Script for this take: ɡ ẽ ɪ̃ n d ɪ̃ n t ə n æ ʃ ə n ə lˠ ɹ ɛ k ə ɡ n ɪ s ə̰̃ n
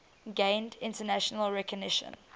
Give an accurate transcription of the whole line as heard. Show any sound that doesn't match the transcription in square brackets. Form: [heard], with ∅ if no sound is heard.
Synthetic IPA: ɡ ẽ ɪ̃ n d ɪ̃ n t ə n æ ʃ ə n ə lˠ ɹ ɛ k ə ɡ n ɪ [ʃ] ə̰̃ n